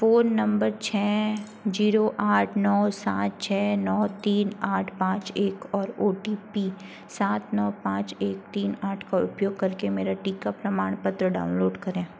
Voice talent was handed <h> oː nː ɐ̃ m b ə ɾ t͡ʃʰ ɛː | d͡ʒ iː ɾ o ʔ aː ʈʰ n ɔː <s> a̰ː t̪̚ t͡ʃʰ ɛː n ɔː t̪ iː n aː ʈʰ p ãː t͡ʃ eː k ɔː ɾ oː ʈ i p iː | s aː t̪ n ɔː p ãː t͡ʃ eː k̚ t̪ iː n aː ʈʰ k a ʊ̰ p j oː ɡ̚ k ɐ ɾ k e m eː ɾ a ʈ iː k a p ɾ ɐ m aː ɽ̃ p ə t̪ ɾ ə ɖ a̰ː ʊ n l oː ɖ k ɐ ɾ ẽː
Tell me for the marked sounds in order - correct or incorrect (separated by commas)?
incorrect, correct